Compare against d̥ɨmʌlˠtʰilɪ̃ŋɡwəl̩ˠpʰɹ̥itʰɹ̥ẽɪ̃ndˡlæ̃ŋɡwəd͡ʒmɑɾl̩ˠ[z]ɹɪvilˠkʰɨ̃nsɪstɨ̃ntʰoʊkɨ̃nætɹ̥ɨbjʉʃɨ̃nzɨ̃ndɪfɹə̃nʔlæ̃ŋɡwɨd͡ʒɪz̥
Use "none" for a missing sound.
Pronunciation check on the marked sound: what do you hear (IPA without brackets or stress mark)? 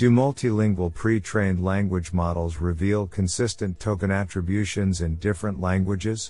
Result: z